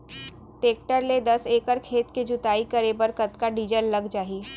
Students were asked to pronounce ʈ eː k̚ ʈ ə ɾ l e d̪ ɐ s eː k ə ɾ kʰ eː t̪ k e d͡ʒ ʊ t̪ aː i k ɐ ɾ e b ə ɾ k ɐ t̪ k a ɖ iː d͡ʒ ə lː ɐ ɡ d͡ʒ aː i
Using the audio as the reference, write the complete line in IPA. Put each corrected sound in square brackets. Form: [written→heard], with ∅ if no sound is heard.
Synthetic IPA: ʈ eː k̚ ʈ ə ɾ l e d̪ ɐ s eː k ə ɾ kʰ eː t̪ k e d͡ʒ ʊ t̪ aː i k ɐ ɾ e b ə ɾ k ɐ t̪ k a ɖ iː d͡ʒ ə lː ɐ ɡ d͡ʒ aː i